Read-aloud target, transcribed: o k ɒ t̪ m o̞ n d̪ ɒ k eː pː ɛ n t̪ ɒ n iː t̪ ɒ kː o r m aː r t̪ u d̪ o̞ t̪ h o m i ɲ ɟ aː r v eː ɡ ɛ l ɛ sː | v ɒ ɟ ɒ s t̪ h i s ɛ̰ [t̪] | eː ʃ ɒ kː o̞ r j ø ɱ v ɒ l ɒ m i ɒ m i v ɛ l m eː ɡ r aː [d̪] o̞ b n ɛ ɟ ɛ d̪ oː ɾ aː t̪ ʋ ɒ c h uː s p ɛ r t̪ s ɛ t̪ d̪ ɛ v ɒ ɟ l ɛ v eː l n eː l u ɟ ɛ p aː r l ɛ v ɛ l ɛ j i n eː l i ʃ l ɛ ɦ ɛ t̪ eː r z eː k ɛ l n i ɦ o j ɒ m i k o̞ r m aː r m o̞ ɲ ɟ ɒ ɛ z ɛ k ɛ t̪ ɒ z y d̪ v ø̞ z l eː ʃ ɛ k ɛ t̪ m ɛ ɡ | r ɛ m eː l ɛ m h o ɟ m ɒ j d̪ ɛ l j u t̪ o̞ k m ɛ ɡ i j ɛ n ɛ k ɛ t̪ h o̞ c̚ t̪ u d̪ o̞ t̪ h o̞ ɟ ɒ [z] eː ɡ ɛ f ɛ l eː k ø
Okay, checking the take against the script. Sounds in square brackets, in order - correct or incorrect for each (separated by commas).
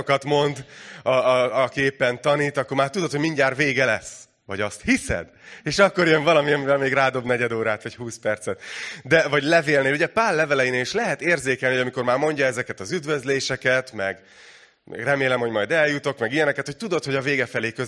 incorrect, correct, incorrect